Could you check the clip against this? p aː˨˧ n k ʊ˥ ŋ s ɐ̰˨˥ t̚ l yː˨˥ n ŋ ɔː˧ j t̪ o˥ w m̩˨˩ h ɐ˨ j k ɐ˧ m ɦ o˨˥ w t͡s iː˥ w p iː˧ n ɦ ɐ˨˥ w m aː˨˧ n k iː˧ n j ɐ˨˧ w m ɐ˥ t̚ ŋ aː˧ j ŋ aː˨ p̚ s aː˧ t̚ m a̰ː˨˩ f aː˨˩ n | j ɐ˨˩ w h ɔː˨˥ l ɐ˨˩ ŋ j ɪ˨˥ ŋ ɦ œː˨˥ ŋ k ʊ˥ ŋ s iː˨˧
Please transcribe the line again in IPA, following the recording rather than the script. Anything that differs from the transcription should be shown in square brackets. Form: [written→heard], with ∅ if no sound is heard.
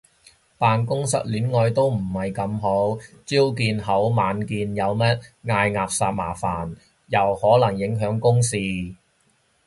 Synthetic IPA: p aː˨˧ n k ʊ˥ ŋ s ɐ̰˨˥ t̚ l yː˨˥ n ŋ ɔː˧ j t̪ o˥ w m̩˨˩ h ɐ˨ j k ɐ˧ m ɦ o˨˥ w t͡s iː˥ w [p→k] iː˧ n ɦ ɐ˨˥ w m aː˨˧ n k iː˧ n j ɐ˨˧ w m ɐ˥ t̚ ŋ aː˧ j ŋ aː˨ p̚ s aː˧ t̚ m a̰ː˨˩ f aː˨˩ n | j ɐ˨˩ w h ɔː˨˥ l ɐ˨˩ ŋ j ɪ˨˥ ŋ ɦ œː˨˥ ŋ k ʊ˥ ŋ s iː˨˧